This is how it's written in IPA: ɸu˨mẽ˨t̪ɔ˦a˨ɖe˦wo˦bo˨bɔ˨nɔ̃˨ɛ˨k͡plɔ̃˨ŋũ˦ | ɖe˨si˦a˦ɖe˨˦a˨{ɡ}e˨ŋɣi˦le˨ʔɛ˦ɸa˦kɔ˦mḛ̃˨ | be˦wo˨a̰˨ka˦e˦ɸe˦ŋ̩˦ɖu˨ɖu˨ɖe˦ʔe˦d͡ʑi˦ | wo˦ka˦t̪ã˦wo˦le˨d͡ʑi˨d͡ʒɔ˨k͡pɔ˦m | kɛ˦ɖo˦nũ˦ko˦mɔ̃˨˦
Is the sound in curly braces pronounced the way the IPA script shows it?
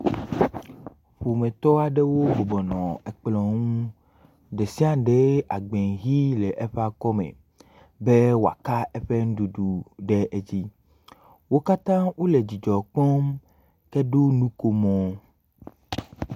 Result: no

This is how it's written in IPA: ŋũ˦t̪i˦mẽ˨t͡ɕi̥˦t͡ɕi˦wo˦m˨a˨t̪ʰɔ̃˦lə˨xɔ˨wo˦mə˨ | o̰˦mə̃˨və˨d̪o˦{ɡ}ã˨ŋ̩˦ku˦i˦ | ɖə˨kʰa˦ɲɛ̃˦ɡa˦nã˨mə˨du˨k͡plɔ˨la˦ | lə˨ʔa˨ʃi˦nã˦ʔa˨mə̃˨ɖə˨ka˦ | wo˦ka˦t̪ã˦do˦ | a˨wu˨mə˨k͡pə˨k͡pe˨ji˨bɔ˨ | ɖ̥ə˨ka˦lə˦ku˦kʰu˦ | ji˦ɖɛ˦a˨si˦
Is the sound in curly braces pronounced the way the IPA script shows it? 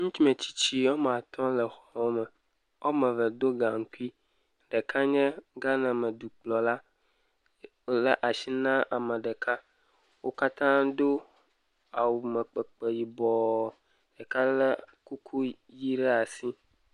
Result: yes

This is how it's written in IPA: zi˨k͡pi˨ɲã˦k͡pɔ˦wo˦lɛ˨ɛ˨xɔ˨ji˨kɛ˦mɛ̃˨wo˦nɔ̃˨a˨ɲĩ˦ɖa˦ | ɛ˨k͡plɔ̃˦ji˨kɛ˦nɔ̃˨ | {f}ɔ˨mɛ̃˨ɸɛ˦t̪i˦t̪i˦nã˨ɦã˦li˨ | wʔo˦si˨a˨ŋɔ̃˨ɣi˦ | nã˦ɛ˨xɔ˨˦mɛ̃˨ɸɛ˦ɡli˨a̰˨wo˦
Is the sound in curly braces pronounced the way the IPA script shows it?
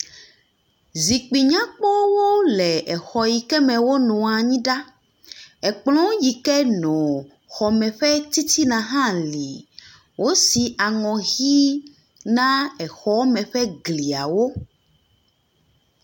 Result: no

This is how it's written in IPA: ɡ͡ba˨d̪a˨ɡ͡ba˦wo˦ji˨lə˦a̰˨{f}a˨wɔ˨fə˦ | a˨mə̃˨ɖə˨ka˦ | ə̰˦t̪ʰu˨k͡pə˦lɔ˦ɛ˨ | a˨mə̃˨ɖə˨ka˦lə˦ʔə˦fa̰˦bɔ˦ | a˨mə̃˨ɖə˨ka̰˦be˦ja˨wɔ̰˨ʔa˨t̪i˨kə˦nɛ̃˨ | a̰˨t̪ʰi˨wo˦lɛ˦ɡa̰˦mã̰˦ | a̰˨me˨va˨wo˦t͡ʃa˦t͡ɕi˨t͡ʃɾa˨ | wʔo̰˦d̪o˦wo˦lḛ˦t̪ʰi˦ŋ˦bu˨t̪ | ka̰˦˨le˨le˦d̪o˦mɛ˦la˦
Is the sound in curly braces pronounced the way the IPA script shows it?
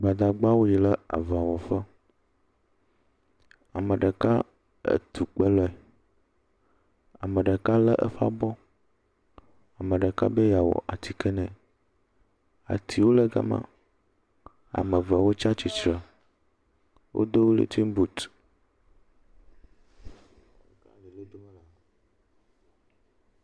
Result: no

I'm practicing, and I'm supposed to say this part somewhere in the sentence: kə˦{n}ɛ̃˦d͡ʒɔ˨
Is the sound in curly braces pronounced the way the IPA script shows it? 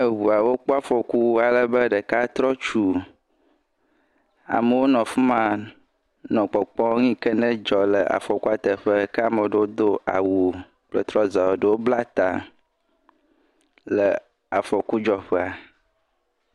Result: yes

